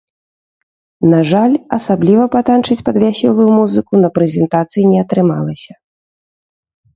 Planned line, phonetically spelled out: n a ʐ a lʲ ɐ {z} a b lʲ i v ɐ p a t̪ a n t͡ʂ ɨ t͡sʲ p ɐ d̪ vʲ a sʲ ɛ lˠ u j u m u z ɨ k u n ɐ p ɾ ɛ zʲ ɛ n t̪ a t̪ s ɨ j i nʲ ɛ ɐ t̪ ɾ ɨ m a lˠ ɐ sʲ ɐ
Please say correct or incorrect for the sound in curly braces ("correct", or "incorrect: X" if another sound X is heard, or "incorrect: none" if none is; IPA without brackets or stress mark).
incorrect: s